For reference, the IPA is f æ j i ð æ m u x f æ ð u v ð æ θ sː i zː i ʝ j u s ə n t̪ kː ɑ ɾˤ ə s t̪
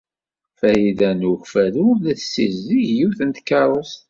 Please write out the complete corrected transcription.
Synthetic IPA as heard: f æ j i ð æ n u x f æ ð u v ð æ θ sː i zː i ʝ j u θ ə n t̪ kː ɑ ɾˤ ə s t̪